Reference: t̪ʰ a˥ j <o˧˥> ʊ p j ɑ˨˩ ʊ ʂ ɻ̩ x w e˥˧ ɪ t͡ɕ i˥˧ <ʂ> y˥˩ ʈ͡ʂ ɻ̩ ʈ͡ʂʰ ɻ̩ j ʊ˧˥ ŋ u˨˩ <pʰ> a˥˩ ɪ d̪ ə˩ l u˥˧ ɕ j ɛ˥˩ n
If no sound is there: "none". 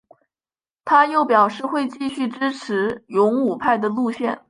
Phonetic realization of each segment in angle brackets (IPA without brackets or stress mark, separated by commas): o˥˩, ɕ, pʰ